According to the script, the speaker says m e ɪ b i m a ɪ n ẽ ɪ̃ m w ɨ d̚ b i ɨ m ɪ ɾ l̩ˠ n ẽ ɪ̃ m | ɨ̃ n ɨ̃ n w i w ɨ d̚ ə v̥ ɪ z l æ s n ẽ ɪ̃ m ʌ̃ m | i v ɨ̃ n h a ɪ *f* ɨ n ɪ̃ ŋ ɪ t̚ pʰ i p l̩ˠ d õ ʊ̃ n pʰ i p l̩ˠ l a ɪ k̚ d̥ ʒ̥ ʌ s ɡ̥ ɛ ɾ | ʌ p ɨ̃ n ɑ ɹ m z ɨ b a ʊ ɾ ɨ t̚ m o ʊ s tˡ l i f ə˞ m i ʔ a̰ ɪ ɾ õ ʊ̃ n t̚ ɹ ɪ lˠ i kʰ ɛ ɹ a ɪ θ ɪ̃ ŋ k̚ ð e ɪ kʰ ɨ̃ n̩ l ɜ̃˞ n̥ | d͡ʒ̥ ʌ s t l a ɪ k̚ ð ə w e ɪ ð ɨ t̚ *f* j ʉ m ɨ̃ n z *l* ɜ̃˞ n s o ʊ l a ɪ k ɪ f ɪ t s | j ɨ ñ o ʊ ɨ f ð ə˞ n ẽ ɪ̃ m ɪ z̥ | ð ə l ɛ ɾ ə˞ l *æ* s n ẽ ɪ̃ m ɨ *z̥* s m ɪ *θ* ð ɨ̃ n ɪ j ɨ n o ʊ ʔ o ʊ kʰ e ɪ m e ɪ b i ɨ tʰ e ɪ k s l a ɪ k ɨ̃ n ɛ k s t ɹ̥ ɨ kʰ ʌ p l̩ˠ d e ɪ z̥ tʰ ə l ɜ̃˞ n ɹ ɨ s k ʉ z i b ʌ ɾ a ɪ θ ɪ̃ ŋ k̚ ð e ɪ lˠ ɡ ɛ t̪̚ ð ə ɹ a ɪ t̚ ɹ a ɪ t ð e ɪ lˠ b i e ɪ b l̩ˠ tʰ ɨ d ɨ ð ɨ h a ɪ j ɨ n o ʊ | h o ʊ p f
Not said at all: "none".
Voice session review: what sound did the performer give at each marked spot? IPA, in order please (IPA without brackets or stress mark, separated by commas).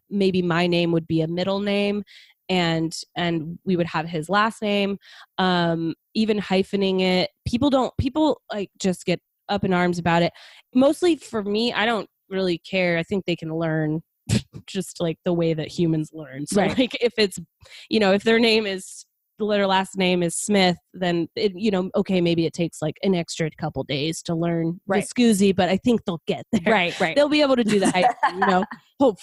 f, h, l, æ, z̥, θ